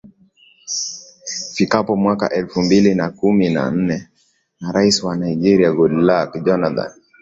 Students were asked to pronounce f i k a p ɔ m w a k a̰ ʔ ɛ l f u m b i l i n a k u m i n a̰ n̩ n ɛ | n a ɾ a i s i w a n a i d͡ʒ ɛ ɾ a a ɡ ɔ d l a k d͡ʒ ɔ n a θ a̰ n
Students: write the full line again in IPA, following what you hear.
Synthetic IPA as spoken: f i k a p ɔ m w a k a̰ ʔ ɛ l f u m b i l i n a k u m i n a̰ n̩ n ɛ | n a ɾ a i s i w a n a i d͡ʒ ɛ ɾ i a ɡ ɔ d l a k d͡ʒ ɔ n a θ a̰ n

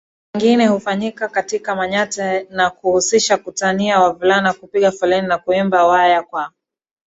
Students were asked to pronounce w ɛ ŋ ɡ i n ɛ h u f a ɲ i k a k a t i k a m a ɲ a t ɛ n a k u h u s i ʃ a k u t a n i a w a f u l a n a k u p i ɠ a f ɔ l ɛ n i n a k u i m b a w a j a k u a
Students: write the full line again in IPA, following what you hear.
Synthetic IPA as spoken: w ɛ ŋ ɡ i n ɛ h u f a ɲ i k a k a t i k a m a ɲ a t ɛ n a k u h u s i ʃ a k u t a n i a w a v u l a n a k u p i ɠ a f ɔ l ɛ n i n a k u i m b a w a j a k w a

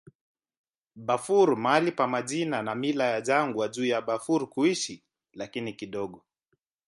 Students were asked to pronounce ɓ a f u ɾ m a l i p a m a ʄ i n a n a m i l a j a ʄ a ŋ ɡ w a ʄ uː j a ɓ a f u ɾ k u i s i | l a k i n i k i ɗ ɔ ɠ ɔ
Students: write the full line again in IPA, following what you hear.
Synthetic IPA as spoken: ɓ a f u ɾ m a l i p a m a ʄ i n a n a m i l a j a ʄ a ŋ ɡ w a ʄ uː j a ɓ a f u ɾ k u i ʃ i | l a k i n i k i ɗ ɔ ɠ ɔ

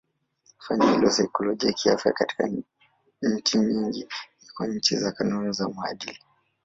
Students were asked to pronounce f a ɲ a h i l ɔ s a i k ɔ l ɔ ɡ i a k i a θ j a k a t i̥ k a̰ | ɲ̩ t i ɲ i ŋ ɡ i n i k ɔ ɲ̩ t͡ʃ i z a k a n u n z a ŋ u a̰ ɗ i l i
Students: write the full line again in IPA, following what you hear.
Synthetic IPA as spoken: f a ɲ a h i l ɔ s a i k ɔ l ɔ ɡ i a k i a f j a k a t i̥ k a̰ | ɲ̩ t͡ʃ i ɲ i ŋ ɡ i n i k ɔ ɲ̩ t͡ʃ i z a k a n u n z a m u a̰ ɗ i l i

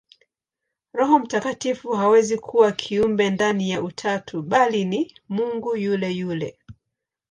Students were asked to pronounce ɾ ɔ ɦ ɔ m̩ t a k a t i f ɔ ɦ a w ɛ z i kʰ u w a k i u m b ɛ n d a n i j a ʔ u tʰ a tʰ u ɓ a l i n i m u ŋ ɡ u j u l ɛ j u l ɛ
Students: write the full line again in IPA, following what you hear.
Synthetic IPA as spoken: ɾ ɔ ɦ ɔ m̩ t a k a t i f u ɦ a w ɛ z i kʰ u w a kʰ i u m b ɛ n d a n i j a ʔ u tʰ a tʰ u ɓ a l i n i m u ŋ ɡ u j u l ɛ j u l ɛ

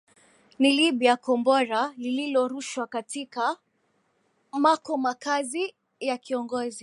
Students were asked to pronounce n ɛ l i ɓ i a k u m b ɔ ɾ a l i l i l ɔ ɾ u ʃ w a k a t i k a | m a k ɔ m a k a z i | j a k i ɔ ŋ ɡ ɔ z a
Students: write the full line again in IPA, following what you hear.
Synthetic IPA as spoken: n i l i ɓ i a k ɔ m b ɔ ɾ a l i l i l ɔ ɾ u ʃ w a k a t i k a | m a k ɔ m a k a z i | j a k i ɔ ŋ ɡ ɔ z i

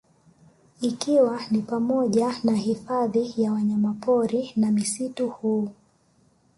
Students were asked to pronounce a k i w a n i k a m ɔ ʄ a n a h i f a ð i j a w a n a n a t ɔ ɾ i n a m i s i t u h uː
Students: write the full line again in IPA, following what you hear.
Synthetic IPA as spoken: i k i w a n i p a m ɔ ʄ a n a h i f a ð i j a w a ɲ a m a p ɔ ɾ i n a m i s i t u h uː

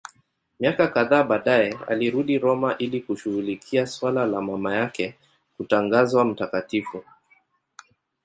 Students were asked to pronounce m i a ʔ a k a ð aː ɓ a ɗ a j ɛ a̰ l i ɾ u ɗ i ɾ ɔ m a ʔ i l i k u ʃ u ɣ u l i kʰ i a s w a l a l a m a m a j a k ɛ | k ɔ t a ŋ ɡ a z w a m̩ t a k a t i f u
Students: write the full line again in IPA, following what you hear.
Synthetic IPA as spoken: m i a k a k a ð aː ɓ a ɗ a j ɛ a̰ l i ɾ u ɗ i ɾ ɔ m a ʔ i l i k u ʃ u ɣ u l i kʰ i a s w a l a l a m a m a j a k ɛ | k u t a ŋ ɡ a z w a m̩ t a k a t i f u

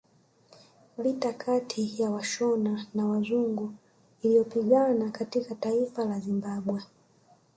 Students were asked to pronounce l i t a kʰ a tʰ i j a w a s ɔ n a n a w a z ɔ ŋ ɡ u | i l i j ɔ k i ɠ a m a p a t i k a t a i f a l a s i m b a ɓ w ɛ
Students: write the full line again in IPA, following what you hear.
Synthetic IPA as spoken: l i t a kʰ a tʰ i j a w a ʃ ɔ n a n a w a z u ŋ ɡ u | i l i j ɔ p i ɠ a n a k a t i k a t a i f a l a z i m b a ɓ w ɛ

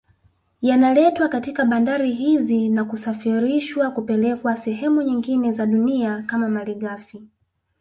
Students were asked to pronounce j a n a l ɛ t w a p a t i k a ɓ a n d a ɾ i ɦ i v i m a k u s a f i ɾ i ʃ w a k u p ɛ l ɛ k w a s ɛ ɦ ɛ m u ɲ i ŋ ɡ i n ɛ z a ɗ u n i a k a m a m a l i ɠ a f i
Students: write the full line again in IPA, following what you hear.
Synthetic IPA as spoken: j a n a l ɛ t w a k a t i k a ɓ a n d a ɾ i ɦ i z i n a k u s a f i ɾ i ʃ w a k u p ɛ l ɛ k w a s ɛ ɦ ɛ m u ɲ i ŋ ɡ i n ɛ z a ɗ u n i a k a m a m a l i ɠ a f i

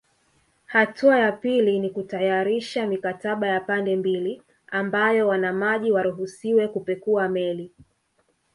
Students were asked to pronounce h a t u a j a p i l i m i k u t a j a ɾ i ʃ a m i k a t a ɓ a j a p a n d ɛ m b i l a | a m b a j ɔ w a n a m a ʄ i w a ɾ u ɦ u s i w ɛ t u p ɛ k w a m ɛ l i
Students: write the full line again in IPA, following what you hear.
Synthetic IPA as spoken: h a t u a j a p i l i n i k u t a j a ɾ i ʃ a m i k a t a ɓ a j a p a n d ɛ m b i l i | a m b a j ɔ w a n a m a ʄ i w a ɾ u ɦ u s i w ɛ k u p ɛ k u a m ɛ l i

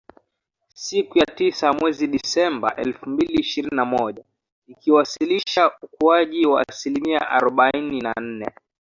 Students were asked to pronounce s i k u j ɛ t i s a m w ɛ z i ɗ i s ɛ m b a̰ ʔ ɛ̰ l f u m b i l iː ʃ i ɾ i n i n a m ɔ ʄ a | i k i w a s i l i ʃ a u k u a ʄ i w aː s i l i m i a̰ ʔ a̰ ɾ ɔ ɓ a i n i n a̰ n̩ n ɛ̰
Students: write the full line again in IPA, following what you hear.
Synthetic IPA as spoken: s i k u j a t i s a m w ɛ z i ɗ i s ɛ m b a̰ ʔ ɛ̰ l f u m b i l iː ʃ i ɾ i n i n a m ɔ ʄ a | i k i w a s i l i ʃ a u k u a ʄ i w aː s i l i m i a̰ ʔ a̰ ɾ ɔ ɓ a i n i n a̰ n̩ n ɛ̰

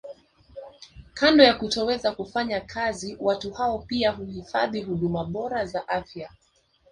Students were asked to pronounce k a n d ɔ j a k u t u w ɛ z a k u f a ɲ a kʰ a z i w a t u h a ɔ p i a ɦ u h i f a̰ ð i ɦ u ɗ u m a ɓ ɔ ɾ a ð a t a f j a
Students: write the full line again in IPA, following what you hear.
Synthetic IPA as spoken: k a n d ɔ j a k u t ɔ w ɛ z a k u f a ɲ a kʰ a z i w a t u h a ɔ p i a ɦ u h i f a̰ ð i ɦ u ɗ u m a ɓ ɔ ɾ a z a ʔ a f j a

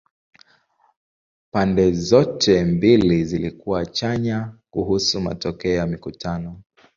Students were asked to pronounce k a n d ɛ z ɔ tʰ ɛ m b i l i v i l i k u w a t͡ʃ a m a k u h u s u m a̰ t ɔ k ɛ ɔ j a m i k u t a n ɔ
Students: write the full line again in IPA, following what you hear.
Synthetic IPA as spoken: p a n d ɛ z ɔ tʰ ɛ m b i l i z i l i k u w a t͡ʃ a ɲ a k u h u s u m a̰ t ɔ k ɛ ɔ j a m i k u t a n ɔ

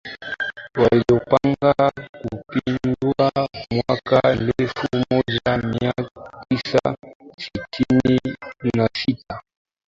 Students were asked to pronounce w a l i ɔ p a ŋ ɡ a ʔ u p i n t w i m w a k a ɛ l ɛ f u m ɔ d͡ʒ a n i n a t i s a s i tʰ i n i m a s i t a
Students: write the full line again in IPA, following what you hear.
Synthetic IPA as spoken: w a l i ɔ p a ŋ ɡ a k u p i n d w a m w a k a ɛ l ɛ f u m ɔ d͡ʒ a m i a t i s a s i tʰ i n i n a s i t a

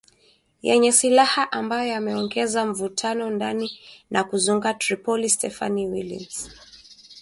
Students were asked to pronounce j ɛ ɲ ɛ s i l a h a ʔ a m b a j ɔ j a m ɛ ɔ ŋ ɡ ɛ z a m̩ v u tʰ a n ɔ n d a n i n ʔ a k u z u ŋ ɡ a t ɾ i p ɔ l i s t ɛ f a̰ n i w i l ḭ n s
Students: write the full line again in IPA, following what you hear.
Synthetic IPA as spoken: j ɛ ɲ ɛ s i l a h a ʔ a m b a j ɔ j a m ɛ ɔ ŋ ɡ ɛ z a m̩ v u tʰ a n ɔ n d a n i n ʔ a k u z u ŋ ɡ a t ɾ i p ɔ l i s t ɛ f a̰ n i w i l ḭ n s

